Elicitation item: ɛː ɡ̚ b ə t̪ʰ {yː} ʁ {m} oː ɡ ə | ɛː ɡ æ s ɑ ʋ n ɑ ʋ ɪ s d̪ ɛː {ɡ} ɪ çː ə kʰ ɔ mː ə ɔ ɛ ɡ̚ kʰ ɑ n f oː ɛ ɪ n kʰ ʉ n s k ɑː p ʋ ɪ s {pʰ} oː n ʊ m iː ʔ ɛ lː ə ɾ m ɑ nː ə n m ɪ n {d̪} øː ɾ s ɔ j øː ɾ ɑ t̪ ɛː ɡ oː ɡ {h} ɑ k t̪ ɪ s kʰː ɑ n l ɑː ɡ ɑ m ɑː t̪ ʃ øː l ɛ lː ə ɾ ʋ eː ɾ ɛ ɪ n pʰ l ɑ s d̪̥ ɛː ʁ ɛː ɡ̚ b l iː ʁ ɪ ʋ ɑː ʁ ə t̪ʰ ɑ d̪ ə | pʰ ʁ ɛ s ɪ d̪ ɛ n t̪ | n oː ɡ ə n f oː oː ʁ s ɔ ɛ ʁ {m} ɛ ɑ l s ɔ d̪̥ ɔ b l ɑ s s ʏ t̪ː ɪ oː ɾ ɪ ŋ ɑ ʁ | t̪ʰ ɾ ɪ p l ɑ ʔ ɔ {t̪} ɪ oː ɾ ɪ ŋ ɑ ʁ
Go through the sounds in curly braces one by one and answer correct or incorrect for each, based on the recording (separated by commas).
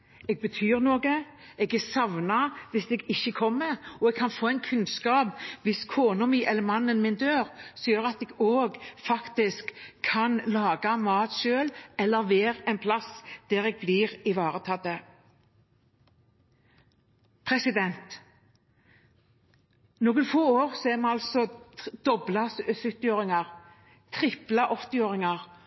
correct, incorrect, correct, incorrect, correct, incorrect, correct, correct